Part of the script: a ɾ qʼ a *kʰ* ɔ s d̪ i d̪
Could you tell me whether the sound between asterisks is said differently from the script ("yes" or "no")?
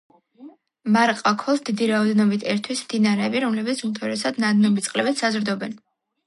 no